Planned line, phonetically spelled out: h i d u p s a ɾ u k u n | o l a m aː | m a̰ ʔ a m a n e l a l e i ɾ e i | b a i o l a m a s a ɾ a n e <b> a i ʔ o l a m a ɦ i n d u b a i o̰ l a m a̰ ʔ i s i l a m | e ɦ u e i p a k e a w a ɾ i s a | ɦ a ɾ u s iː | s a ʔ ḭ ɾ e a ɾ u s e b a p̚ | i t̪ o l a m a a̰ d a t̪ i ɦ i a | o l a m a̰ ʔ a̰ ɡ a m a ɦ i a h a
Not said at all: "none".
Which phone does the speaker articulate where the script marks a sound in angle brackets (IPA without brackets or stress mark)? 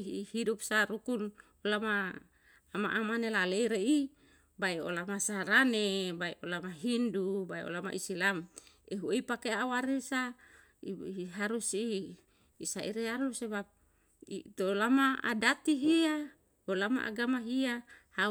b